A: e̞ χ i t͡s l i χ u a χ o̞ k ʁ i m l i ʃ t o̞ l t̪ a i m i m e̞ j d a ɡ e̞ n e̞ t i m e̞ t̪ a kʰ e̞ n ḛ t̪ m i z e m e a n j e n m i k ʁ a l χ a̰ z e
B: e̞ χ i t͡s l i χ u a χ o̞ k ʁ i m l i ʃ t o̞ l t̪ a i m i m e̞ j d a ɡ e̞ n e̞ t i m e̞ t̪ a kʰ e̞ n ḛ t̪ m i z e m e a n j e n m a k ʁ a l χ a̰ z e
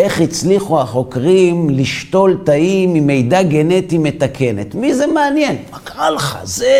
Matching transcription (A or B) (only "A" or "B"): B